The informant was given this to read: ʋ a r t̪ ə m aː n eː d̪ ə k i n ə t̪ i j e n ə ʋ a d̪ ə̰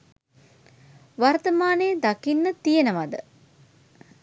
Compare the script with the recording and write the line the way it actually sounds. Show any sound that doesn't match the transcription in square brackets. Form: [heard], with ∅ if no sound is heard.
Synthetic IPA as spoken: ʋ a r t̪ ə m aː n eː d̪ [a] k i [nː] ə t̪ i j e n ə ʋ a d̪ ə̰